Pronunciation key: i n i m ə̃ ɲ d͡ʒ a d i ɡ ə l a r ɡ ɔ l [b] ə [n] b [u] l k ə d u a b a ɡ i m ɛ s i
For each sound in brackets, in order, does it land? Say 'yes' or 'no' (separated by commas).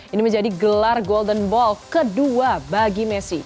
no, yes, no